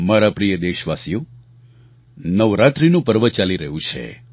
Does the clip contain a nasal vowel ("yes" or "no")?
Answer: yes